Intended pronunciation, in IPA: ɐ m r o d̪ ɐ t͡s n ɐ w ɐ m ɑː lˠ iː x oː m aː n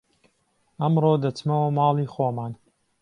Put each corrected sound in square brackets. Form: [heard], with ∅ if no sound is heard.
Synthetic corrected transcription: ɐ m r o d̪ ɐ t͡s [m] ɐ w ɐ m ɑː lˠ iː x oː m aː n